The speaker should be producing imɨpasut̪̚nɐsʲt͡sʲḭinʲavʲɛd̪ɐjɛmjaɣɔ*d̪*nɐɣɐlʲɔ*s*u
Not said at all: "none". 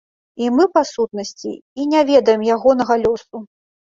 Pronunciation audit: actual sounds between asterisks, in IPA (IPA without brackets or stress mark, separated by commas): none, s